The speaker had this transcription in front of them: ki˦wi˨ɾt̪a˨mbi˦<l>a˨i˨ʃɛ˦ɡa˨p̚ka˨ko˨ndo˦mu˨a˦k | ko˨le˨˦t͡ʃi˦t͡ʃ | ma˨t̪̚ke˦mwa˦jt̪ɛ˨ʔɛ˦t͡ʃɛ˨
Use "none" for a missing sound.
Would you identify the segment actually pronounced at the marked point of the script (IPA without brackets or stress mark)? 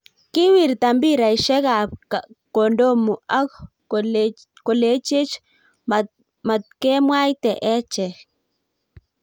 ɾ